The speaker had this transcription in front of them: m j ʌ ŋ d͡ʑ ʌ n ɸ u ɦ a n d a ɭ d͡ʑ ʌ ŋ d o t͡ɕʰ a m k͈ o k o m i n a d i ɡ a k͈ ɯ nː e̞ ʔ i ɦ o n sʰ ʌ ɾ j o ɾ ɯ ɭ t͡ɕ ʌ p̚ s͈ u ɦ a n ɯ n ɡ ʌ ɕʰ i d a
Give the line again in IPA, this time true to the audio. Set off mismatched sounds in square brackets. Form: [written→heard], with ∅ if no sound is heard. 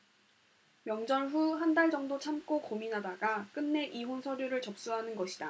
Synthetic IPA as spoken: m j ʌ ŋ d͡ʑ ʌ n ɸ u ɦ a n d a ɭ d͡ʑ ʌ ŋ d o t͡ɕʰ a m k͈ o k o m i n a d [i→a] ɡ a k͈ ɯ nː e̞ ʔ i ɦ o n sʰ ʌ ɾ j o ɾ ɯ ɭ t͡ɕ ʌ p̚ s͈ u ɦ a n ɯ n ɡ ʌ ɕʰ i d a